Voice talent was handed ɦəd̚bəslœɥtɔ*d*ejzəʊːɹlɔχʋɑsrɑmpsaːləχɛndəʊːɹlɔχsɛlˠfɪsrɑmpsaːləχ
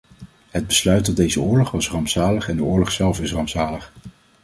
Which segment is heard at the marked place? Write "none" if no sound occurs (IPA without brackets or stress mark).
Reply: d